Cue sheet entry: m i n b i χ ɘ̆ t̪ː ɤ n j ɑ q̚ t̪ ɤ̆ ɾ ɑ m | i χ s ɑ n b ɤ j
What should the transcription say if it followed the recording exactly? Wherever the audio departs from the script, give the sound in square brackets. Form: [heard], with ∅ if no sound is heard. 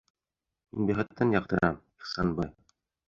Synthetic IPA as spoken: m i n b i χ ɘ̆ t̪ː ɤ n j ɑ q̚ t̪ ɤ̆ ɾ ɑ m | i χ s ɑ n b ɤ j